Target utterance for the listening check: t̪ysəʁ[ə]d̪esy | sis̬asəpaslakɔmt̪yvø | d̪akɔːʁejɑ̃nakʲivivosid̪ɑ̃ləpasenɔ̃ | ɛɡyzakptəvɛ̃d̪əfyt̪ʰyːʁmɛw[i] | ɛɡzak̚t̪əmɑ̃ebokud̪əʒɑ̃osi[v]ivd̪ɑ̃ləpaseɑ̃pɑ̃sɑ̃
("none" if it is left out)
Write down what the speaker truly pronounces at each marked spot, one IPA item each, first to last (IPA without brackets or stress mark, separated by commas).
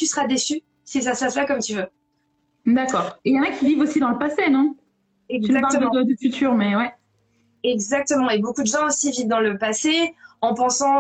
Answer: a, ɛ, v